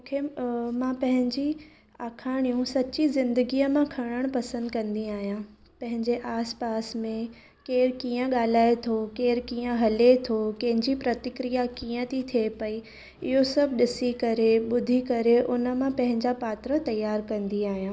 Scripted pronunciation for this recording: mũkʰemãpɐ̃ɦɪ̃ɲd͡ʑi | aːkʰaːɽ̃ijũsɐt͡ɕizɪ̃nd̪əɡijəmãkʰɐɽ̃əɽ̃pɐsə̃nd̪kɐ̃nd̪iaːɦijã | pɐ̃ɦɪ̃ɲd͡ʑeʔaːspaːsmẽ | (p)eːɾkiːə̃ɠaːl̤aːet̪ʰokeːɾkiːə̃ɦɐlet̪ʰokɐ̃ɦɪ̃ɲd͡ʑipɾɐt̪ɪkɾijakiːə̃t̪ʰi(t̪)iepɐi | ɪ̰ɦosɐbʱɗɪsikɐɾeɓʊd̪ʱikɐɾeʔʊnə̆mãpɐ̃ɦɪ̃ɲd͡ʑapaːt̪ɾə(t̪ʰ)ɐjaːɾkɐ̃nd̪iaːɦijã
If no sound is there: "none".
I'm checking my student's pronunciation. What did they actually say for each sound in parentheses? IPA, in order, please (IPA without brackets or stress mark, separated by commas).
k, t̪ʰ, t̪